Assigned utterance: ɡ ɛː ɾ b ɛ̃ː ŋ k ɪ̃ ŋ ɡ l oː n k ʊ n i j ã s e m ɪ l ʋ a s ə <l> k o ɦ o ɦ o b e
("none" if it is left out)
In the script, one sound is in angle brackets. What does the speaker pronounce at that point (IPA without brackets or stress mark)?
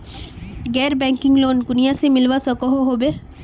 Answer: none